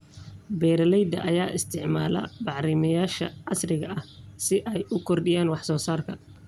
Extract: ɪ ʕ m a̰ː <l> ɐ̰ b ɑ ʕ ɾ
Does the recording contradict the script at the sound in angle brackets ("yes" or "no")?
no